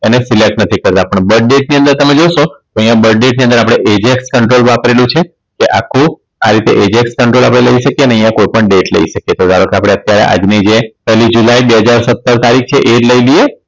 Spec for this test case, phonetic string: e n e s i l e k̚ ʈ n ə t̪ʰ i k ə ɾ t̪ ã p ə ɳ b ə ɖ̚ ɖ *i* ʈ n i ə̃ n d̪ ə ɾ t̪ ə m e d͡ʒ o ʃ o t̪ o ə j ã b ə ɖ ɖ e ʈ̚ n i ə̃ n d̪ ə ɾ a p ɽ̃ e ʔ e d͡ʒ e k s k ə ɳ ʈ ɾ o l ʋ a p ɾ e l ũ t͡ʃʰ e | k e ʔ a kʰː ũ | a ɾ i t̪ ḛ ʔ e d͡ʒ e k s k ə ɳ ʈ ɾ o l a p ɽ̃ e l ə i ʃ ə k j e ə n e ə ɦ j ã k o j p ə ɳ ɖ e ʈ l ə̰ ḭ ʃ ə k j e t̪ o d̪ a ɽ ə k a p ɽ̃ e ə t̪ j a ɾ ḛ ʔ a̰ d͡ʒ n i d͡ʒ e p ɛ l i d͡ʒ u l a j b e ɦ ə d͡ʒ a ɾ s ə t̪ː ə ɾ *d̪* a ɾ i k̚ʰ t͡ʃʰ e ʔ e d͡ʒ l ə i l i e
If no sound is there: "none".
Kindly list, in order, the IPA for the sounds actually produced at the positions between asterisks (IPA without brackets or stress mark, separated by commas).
e, t̪